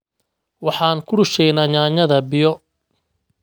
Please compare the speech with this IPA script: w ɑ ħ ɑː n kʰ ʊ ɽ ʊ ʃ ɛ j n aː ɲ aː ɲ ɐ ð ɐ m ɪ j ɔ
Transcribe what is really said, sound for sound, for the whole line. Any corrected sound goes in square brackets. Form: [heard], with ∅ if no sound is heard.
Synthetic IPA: w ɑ ħ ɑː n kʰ ʊ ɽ ʊ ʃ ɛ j n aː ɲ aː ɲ ɐ ð ɐ [b] ɪ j ɔ